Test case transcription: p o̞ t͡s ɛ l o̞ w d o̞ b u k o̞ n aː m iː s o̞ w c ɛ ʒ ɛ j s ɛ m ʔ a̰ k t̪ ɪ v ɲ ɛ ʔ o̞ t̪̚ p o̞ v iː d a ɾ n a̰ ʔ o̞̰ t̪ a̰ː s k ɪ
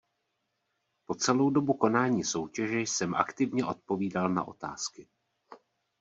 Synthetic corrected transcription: p o̞ t͡s ɛ l o̞ w d o̞ b u k o̞ n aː ɲ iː s o̞ w c ɛ ʒ ɛ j s ɛ m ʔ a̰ k t̪ ɪ v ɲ ɛ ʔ o̞ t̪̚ p o̞ v iː d a l n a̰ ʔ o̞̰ t̪ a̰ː s k ɪ